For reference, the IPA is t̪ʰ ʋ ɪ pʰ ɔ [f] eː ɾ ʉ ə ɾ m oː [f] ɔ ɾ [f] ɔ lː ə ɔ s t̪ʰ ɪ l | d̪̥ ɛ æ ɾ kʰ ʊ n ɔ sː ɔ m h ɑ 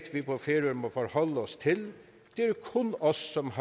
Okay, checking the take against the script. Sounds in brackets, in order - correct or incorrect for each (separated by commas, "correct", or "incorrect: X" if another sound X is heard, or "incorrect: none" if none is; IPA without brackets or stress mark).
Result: correct, correct, incorrect: h